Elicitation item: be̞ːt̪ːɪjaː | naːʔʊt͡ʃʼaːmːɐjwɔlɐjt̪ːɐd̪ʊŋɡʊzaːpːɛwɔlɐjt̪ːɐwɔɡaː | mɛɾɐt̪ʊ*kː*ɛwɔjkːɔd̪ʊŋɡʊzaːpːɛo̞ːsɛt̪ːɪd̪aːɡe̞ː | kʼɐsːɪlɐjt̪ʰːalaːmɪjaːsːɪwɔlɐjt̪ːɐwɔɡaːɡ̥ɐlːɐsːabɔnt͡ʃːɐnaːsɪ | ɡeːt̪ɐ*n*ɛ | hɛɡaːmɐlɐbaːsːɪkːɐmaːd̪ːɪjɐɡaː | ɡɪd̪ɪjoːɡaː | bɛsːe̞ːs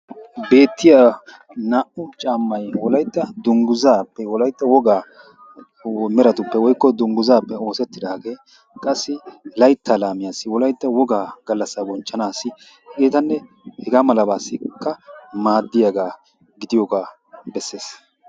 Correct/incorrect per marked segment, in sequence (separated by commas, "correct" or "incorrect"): incorrect, incorrect